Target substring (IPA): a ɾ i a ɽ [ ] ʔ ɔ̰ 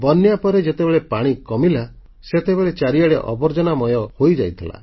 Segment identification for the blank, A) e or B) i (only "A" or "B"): A